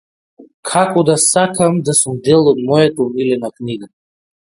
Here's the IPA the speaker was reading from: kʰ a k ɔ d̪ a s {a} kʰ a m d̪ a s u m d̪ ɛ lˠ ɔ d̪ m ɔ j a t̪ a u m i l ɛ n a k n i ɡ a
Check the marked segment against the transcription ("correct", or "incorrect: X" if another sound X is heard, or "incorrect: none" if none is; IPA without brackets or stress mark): correct